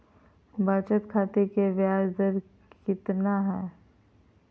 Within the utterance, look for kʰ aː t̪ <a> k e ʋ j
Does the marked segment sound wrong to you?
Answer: yes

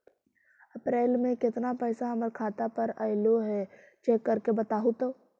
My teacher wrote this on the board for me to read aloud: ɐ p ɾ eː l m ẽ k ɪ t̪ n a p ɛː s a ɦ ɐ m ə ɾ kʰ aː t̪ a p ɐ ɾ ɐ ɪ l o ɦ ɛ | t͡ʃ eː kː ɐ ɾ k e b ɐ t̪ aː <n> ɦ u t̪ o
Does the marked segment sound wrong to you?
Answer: yes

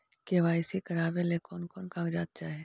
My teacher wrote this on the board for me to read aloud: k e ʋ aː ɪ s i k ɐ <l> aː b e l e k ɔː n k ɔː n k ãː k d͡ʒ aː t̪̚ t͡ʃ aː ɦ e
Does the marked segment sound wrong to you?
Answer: yes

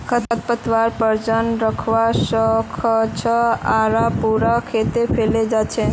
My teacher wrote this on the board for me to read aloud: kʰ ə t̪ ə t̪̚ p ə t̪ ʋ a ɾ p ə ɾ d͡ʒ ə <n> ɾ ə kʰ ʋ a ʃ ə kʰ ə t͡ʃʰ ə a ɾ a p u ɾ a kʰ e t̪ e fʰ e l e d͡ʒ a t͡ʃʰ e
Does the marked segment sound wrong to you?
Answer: no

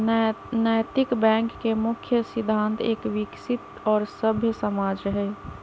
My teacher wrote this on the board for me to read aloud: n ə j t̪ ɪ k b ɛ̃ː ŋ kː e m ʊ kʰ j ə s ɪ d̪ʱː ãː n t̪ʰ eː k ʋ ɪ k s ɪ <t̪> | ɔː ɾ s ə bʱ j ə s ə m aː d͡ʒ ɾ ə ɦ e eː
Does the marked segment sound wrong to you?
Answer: no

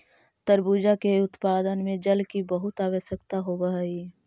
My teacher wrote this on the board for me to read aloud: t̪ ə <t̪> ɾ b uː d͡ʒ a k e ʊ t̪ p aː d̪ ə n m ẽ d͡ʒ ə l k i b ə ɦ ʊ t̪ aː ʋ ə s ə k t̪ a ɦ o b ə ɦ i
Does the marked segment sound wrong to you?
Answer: yes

